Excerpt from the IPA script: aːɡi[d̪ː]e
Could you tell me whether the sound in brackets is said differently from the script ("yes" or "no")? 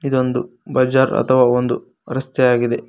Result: yes